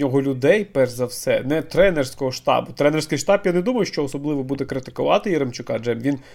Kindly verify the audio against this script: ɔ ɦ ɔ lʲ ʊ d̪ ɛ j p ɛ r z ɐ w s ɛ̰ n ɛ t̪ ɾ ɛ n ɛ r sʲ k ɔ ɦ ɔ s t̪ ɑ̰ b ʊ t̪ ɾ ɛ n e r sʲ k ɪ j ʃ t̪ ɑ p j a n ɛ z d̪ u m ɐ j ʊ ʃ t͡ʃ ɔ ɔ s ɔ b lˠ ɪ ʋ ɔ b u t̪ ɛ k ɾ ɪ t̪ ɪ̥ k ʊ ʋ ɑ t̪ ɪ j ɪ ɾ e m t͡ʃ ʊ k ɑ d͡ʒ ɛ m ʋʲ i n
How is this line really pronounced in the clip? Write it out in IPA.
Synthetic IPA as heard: ɔ ɦ ɔ lʲ ʊ d̪ ɛ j p ɛ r z ɐ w s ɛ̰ n ɛ t̪ ɾ ɛ n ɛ r sʲ k ɔ ɦ ɔ ʃ t̪ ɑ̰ b ʊ t̪ ɾ ɛ n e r sʲ k ɪ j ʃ t̪ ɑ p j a n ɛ d̪ u m ɐ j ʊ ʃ t͡ʃ ɔ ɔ s ɔ b lˠ ɪ ʋ ɔ b u d̪ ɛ k ɾ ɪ t̪ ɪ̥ k ʊ ʋ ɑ t̪ ɪ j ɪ ɾ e m t͡ʃ ʊ k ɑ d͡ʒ ɛ m ʋʲ i n